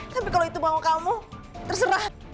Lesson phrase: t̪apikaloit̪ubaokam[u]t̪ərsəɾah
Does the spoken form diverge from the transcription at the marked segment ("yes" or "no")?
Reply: no